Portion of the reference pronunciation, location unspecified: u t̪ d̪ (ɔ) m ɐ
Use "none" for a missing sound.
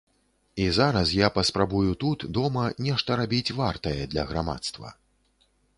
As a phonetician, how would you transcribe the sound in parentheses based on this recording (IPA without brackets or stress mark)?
ɔ